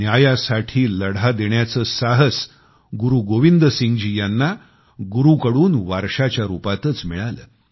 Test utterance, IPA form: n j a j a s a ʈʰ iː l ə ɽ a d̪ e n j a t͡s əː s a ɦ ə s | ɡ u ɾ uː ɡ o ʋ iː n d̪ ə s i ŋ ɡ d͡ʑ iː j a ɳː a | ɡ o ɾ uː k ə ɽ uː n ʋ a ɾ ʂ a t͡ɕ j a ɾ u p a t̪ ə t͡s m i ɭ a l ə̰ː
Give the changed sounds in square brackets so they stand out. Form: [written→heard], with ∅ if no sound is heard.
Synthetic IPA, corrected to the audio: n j a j a s a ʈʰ iː l ə ɽ a d̪ e [n→ɳ] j a t͡s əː s a ɦ ə s | ɡ u ɾ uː ɡ o ʋ [iː→i] n d̪ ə s i ŋ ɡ d͡ʑ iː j a [ɳː→nː] a | ɡ [o→u] ɾ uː k ə ɽ uː n ʋ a ɾ ʂ a t͡ɕ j a ɾ u p a t̪ ə t͡s m i ɭ a l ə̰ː